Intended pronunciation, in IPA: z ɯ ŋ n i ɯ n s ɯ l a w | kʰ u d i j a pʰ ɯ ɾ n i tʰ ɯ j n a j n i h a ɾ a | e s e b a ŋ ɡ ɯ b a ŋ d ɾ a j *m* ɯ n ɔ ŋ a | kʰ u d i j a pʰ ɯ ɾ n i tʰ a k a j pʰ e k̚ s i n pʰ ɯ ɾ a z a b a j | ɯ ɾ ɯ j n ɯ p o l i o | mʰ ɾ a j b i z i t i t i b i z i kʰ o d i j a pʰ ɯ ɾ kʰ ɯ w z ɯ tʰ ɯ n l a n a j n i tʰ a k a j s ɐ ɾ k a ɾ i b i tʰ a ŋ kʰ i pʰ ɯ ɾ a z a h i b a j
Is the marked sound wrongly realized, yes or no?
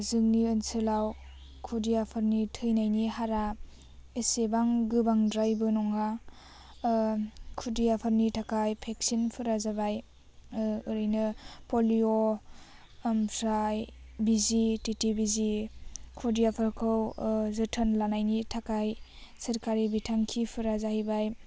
yes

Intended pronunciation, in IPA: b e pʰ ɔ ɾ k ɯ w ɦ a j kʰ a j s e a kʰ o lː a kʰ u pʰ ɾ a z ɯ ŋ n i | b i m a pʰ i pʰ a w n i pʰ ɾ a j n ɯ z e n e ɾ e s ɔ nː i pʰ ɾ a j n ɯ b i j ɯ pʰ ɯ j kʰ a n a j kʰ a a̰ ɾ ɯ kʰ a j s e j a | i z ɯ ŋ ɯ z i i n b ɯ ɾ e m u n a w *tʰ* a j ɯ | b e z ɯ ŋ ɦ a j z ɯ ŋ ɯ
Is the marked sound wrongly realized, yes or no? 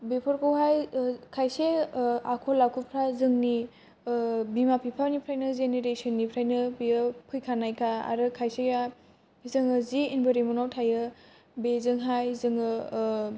no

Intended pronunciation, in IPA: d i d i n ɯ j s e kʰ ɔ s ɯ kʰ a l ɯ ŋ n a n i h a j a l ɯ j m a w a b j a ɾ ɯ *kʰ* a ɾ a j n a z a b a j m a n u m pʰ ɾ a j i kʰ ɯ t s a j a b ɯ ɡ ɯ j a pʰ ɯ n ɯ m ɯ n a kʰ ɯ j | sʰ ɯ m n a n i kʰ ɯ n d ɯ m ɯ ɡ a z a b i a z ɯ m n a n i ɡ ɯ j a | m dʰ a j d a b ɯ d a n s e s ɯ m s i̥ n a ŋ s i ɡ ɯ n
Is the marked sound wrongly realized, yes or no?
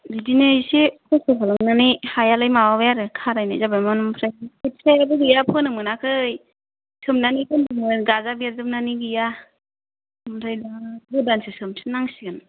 no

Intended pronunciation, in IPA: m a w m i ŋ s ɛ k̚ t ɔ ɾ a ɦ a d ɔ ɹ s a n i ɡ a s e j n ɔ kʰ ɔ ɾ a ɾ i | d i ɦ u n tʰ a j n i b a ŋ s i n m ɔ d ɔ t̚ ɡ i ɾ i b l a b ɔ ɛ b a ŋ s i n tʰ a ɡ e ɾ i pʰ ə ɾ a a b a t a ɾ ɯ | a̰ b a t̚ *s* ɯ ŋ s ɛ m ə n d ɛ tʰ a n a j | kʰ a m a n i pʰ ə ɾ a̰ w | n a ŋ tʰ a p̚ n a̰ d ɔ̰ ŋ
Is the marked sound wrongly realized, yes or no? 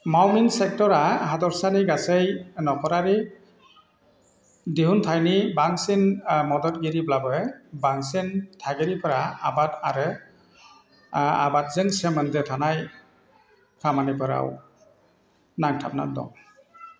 yes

